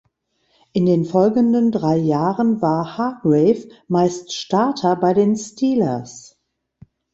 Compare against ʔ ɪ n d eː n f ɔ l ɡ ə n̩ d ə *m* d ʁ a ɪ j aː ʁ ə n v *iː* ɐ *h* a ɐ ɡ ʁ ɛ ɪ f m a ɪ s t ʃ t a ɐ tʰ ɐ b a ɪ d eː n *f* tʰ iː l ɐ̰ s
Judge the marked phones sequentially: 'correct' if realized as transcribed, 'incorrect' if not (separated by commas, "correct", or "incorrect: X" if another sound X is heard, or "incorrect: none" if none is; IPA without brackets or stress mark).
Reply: incorrect: n, incorrect: aː, correct, incorrect: s